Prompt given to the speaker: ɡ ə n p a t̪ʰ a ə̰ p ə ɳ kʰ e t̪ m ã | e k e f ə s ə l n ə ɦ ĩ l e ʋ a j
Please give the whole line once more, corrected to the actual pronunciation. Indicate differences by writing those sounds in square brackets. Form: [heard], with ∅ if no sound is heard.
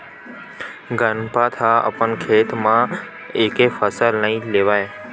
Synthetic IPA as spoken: ɡ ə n p a t̪ʰ a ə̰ p ə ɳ kʰ e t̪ m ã | e k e f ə s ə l n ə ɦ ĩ l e ʋ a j